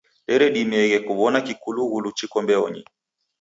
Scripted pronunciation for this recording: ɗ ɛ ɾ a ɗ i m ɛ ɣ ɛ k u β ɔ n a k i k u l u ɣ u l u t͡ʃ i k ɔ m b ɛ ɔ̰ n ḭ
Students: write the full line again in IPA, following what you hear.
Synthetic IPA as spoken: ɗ ɛ ɾ ɛ ɗ i m ɛ ɣ ɛ k u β ɔ n a k i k u l u ɣ u l u t͡ʃ i k ɔ m b ɛ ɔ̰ ɲ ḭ

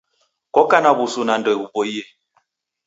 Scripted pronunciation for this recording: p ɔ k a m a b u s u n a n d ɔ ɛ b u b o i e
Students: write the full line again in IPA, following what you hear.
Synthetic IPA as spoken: k ɔ k a n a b u s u n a n d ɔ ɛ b u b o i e

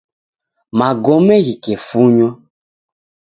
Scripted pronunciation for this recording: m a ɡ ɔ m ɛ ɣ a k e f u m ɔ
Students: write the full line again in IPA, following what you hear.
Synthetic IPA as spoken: m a ɡ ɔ m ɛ ɣ i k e f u ɲ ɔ

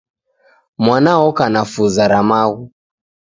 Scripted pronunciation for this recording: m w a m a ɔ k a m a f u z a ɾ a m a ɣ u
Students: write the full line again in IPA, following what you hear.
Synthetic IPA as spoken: m w a n a ɔ k a n a f u z a ɾ a m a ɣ u

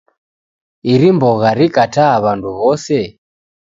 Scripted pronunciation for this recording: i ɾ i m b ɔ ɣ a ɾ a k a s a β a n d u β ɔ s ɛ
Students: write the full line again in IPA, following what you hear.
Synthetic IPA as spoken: i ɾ i m b ɔ ɣ a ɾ i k a t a β a n d u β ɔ s ɛ

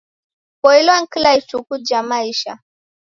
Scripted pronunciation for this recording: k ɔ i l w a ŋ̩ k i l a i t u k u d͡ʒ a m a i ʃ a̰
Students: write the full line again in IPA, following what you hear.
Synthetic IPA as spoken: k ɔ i l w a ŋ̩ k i l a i t͡ʃ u k u d͡ʒ a m a i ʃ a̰

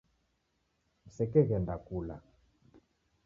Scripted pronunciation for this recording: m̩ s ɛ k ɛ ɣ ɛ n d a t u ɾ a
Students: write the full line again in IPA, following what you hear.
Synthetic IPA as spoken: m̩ s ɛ k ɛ ɣ ɛ n d a k u l a

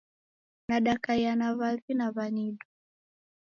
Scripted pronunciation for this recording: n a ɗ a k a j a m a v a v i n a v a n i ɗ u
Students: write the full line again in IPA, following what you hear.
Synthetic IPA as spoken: n a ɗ a k a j a n a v a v i n a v a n i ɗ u

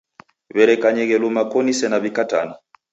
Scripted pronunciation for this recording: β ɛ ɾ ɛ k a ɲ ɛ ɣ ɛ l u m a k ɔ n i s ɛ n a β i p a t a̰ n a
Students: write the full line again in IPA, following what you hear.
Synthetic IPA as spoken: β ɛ ɾ ɛ k a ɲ ɛ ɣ ɛ l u m a k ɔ n i s ɛ n a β i k a t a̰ n a

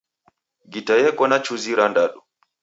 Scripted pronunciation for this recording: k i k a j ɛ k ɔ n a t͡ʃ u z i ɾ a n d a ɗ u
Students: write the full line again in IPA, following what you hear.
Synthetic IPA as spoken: ɡ i t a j ɛ k ɔ n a t͡ʃ u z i ɾ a n d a ɗ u

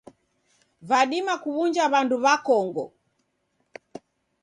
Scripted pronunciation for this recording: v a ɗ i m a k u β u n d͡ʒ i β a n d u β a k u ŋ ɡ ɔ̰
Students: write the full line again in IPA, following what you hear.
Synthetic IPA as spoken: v a ɗ i m a k u β u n d͡ʒ a β a n d u β a k ɔ ŋ ɡ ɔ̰

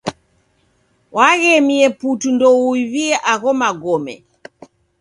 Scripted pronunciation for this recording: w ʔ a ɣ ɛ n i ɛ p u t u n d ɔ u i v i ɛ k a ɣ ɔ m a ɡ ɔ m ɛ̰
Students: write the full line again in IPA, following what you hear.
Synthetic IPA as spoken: w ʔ a ɣ ɛ m i ɛ p u t u n d ɔ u i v i ɛ ʔ a ɣ ɔ m a ɡ ɔ m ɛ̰

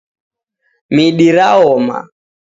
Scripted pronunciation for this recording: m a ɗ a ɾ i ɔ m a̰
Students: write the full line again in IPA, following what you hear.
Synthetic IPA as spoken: m i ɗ i ɾ a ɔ m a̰

